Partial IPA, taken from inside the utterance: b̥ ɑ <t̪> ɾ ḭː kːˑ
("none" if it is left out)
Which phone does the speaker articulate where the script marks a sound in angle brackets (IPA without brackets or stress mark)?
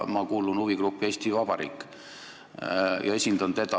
none